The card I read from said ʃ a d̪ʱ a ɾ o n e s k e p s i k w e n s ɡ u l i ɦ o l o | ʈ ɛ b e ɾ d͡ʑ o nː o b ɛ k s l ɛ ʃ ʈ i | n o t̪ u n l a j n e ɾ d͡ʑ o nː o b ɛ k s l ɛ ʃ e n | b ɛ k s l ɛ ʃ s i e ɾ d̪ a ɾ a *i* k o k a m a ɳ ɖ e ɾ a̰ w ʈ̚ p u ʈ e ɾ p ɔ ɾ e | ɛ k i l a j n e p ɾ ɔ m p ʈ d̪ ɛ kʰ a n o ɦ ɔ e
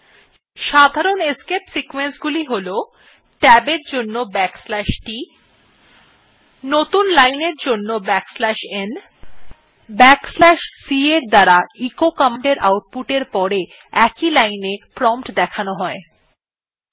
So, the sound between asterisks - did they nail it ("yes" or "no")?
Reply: yes